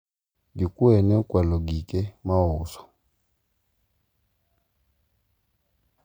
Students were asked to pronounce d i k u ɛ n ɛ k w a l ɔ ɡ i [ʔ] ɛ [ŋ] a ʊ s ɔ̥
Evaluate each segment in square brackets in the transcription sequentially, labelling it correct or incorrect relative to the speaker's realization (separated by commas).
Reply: incorrect, incorrect